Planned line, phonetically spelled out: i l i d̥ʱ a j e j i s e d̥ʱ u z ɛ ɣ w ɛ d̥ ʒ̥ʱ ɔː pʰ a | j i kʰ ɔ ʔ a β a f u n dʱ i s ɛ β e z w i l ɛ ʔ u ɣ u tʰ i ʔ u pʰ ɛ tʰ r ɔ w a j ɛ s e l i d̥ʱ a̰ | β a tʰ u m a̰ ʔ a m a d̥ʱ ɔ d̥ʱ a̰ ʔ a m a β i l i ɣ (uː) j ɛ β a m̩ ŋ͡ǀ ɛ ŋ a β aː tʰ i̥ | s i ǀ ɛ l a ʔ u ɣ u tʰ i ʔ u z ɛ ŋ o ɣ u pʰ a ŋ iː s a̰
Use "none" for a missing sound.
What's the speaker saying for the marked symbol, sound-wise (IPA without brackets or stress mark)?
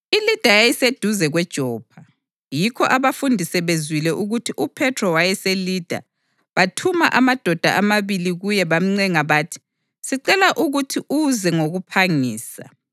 u